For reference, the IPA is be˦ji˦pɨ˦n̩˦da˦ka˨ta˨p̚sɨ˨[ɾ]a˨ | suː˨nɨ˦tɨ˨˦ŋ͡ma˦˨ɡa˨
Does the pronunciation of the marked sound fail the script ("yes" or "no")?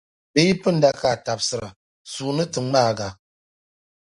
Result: no